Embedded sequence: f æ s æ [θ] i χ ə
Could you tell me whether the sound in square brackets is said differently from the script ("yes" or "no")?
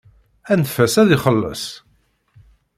yes